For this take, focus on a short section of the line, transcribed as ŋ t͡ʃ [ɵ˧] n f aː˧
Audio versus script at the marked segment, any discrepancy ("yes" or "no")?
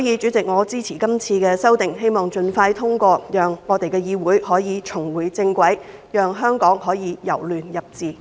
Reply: no